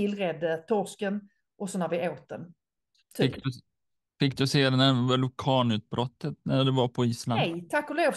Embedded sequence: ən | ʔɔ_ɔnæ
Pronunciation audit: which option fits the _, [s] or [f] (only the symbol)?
s